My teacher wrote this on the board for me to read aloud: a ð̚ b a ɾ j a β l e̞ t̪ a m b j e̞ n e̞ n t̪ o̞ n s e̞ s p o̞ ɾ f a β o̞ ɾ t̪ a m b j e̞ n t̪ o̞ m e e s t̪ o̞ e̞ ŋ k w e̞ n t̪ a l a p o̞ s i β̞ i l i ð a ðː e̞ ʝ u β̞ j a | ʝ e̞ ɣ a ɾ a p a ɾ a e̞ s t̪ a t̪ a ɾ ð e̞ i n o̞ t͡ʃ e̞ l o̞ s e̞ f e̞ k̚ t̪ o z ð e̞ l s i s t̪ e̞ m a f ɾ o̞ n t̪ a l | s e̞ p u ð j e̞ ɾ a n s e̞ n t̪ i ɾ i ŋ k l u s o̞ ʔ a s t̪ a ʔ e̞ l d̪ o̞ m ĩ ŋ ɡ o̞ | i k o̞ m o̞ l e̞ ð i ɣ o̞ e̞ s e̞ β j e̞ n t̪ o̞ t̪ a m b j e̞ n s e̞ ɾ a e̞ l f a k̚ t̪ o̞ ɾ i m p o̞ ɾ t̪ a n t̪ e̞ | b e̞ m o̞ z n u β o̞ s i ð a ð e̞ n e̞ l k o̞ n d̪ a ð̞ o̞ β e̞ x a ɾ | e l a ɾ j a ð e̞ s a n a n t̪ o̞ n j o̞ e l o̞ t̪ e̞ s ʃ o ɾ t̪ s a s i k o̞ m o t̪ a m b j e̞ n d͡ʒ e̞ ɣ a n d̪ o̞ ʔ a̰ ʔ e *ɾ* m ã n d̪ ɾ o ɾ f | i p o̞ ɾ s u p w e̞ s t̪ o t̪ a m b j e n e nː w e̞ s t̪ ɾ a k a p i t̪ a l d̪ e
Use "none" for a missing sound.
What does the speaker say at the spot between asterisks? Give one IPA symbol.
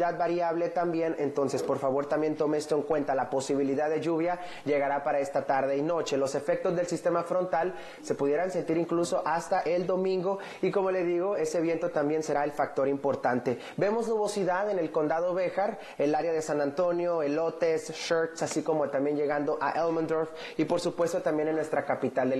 l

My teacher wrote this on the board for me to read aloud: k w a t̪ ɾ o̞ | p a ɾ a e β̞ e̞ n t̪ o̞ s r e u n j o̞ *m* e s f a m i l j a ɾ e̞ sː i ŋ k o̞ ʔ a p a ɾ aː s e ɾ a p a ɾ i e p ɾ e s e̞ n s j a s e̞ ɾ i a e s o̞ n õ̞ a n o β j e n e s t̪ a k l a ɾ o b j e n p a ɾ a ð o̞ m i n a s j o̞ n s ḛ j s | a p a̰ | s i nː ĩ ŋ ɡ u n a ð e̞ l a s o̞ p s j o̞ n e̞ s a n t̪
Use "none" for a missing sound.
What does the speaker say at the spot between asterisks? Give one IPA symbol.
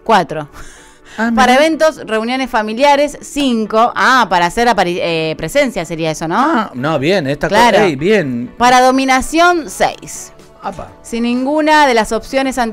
n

